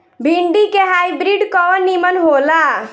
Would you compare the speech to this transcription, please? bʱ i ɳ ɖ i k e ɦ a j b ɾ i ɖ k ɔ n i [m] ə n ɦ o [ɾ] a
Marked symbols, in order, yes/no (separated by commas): yes, no